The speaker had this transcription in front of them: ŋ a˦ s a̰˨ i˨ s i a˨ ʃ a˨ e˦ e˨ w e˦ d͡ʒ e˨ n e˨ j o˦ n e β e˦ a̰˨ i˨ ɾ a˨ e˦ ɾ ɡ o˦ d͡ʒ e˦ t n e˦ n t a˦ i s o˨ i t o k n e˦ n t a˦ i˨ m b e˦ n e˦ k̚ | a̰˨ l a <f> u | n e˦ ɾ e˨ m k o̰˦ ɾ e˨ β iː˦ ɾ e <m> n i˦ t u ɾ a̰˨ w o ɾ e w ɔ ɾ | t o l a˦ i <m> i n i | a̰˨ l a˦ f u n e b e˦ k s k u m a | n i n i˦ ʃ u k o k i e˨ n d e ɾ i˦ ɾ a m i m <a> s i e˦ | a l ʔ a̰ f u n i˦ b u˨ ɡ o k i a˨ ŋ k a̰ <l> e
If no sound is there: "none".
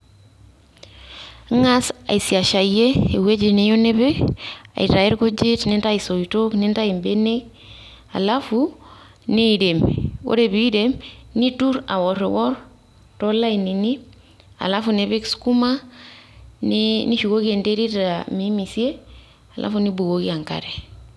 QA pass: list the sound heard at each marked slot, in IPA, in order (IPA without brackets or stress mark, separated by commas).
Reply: f, m, n, i, ɾ